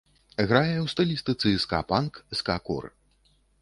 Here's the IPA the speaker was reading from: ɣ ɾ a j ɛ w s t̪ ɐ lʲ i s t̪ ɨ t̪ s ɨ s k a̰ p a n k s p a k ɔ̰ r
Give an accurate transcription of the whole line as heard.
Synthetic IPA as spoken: ɣ ɾ a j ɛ w s t̪ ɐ lʲ i s t̪ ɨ t̪ s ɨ s k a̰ p a n k s k a k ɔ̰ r